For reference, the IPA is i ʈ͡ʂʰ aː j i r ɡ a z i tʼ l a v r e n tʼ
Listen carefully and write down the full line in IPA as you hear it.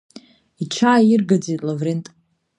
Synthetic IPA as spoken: i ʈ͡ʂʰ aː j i r ɡ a d͡z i tʼ l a v r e n tʼ